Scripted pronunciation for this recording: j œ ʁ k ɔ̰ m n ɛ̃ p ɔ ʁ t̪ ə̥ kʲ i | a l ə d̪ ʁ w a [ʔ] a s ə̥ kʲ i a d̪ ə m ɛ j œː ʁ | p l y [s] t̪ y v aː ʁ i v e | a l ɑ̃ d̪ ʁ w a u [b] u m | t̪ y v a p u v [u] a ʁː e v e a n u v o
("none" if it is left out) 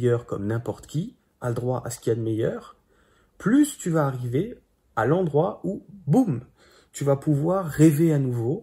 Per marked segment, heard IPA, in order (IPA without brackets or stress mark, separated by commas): ʔ, s, b, w